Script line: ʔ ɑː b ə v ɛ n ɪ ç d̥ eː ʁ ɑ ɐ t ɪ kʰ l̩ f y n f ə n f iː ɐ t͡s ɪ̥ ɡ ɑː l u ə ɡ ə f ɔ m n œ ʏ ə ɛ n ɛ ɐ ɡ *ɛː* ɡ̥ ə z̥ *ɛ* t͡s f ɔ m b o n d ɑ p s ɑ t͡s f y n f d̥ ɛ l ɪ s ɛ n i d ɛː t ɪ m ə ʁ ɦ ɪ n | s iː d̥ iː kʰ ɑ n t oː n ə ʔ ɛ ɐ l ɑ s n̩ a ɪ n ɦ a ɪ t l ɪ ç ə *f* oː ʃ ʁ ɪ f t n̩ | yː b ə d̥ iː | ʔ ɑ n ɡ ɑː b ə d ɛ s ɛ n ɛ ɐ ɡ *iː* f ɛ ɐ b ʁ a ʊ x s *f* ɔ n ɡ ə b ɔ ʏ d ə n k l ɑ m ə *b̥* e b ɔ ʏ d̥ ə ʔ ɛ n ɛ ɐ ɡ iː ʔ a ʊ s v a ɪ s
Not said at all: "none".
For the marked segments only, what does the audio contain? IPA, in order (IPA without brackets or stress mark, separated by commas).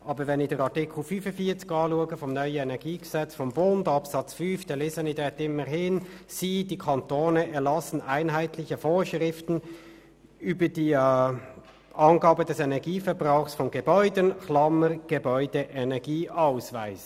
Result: iː, ɛ, f, iː, f, ɡ̥